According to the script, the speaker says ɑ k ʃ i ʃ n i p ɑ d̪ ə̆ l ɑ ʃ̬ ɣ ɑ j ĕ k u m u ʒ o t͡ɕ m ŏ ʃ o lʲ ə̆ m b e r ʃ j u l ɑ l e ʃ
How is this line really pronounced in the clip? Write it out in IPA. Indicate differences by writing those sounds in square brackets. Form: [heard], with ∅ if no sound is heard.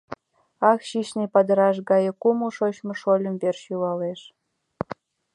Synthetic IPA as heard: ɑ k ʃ i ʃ n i p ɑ d̪ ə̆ [ɾ] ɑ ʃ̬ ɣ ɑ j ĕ k u m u [ʃ] o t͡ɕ m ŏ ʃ o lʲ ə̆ m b e r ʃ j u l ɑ l e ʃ